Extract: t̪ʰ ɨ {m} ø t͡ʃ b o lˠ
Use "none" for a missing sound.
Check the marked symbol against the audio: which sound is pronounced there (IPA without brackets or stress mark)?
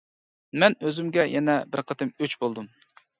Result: m